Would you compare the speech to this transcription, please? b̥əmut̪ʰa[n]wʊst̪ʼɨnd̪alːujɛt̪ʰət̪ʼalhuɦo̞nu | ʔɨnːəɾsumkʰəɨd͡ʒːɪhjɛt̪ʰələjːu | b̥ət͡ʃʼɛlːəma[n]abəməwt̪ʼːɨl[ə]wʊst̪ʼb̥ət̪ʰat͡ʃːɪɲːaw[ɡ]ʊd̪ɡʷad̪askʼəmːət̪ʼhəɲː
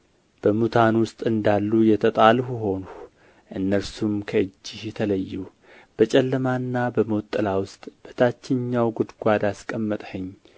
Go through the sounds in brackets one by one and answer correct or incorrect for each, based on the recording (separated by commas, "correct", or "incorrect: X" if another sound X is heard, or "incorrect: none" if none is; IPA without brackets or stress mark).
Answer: correct, incorrect: nː, incorrect: a, correct